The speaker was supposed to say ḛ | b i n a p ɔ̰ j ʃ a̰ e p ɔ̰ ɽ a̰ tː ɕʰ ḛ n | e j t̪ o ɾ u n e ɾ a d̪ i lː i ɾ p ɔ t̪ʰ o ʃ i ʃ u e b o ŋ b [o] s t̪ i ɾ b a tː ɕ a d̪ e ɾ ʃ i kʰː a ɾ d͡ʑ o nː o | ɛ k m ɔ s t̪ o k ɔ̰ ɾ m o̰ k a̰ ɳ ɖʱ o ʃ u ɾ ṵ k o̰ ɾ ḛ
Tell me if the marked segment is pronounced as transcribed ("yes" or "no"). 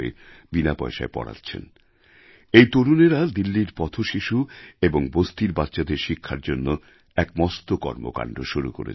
yes